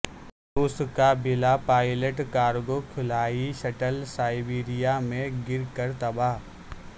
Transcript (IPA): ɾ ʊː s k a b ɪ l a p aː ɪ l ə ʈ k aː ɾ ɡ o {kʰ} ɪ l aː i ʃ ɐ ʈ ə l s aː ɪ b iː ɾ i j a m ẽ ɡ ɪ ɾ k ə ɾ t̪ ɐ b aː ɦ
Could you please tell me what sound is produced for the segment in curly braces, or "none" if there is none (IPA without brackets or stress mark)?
kʰ